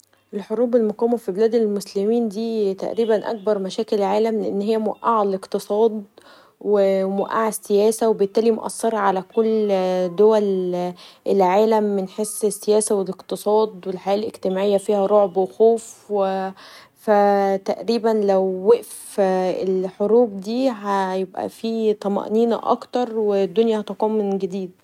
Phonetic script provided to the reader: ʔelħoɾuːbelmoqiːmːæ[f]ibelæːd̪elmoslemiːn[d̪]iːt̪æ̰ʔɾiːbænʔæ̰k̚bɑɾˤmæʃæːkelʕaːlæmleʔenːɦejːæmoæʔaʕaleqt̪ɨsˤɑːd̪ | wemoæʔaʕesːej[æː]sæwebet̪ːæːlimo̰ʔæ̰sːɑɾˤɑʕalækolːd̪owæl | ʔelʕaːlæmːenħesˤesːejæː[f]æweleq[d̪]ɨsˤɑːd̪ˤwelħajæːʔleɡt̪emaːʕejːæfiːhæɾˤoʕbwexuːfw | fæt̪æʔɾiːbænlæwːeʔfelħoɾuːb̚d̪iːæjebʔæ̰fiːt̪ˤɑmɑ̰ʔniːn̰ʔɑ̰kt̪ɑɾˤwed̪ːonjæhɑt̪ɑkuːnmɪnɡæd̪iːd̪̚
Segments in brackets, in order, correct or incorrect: correct, correct, correct, incorrect, incorrect

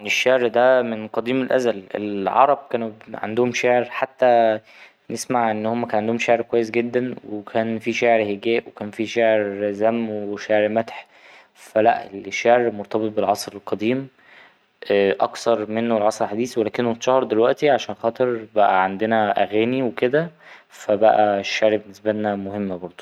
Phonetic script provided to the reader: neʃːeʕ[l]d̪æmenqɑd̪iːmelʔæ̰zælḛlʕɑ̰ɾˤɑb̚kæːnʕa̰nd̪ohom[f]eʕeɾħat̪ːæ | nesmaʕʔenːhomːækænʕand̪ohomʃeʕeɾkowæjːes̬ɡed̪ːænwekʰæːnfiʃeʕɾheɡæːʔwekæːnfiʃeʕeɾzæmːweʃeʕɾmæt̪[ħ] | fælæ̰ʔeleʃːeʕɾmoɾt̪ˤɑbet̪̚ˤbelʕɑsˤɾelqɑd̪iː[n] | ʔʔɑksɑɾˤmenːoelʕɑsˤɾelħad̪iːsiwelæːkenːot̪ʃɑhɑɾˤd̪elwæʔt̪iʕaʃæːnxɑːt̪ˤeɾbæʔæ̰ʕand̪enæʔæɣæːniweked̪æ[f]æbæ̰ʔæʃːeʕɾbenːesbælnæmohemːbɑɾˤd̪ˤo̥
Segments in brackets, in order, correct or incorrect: incorrect, incorrect, correct, incorrect, correct

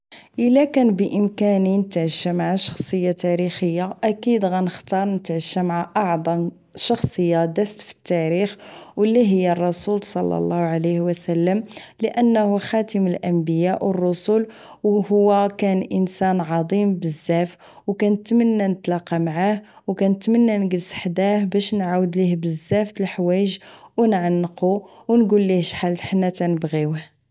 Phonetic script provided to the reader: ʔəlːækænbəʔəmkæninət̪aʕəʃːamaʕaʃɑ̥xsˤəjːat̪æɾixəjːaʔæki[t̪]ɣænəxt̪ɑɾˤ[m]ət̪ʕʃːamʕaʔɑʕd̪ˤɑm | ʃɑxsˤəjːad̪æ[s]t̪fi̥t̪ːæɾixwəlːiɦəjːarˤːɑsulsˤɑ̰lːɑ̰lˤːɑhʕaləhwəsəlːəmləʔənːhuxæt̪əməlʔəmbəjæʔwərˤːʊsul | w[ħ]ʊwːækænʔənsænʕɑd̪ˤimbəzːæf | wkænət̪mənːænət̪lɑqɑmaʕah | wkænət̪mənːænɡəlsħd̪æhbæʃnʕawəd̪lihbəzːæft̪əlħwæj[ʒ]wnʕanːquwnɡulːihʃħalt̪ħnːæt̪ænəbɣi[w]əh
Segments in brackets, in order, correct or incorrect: incorrect, incorrect, correct, incorrect, correct, correct

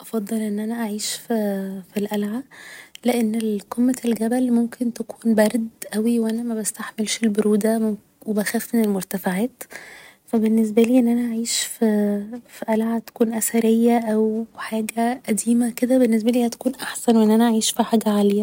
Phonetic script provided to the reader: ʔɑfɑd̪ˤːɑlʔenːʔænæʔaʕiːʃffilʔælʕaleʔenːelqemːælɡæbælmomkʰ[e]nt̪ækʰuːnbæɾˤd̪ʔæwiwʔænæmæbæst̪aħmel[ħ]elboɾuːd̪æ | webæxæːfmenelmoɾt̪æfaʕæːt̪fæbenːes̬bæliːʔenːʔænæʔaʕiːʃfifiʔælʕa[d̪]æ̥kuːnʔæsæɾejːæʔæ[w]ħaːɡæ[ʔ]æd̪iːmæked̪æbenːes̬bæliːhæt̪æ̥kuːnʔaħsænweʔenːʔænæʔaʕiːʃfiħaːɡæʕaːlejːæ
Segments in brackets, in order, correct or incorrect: correct, incorrect, incorrect, correct, correct

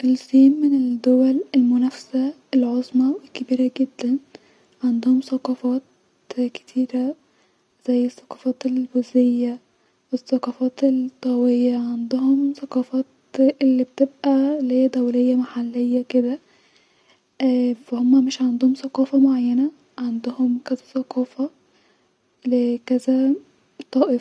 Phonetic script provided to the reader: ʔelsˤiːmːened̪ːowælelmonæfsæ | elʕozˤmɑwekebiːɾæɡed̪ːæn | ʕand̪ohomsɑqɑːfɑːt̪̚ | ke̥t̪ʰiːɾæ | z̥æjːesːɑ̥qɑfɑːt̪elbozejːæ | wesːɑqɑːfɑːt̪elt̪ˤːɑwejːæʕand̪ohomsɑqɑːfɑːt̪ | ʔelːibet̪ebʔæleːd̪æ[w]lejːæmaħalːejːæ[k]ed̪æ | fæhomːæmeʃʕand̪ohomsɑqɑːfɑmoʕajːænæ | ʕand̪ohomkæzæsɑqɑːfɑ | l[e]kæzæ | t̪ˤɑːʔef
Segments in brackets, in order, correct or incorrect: correct, correct, correct

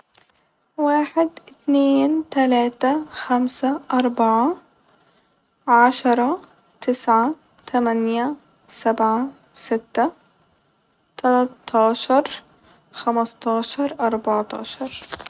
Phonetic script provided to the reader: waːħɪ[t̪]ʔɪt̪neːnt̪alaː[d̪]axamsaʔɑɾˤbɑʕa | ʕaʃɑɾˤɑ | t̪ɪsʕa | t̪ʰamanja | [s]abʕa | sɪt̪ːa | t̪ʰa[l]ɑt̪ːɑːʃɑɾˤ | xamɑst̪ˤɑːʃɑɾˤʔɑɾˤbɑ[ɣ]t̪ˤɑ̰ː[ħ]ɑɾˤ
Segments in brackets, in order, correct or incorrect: incorrect, incorrect, correct, correct, incorrect, incorrect

